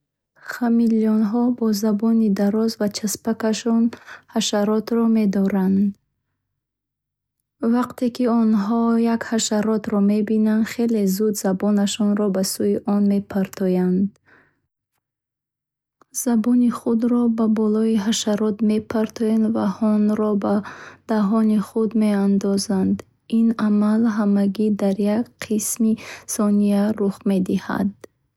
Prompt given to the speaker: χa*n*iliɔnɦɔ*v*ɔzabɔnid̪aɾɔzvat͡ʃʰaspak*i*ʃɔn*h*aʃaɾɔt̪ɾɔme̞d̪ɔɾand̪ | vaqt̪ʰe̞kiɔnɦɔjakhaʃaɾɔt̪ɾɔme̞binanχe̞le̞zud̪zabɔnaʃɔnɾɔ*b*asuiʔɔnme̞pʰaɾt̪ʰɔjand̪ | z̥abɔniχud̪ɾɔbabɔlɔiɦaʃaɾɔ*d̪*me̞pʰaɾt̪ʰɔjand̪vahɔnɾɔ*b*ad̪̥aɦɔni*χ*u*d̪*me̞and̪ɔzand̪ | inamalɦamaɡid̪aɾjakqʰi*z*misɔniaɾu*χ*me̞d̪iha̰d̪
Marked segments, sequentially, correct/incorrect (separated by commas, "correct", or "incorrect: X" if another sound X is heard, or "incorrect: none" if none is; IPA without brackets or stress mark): incorrect: m, incorrect: b, incorrect: a, correct, correct, incorrect: t̪, correct, correct, correct, incorrect: s, correct